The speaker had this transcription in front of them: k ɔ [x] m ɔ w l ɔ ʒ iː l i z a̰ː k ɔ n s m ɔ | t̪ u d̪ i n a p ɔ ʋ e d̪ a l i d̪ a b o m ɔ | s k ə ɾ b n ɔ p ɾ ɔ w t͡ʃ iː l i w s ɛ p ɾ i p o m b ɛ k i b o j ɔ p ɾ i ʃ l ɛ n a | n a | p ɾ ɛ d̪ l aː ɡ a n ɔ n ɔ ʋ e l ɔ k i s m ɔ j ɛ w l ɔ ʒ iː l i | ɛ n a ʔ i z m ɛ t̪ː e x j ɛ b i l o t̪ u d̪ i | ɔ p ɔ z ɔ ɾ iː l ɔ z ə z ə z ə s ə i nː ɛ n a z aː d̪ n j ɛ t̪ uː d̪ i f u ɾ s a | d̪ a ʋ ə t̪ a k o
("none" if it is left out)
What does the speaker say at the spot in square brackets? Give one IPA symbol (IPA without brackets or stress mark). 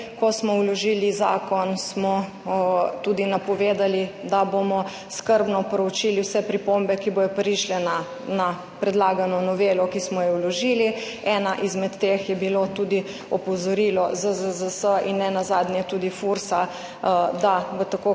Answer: s